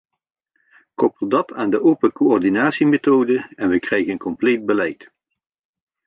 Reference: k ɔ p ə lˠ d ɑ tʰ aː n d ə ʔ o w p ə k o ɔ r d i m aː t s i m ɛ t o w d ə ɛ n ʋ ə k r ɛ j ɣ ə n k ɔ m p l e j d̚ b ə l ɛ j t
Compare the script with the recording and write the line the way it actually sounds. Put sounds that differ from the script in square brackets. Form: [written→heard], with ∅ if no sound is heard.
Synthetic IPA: k ɔ p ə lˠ d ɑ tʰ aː n d ə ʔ o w p ə k o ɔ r d i [m→n] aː t s i m [ɛ→e] t o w d ə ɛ n ʋ ə k r ɛ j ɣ ə n k ɔ m p l e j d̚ b ə l ɛ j t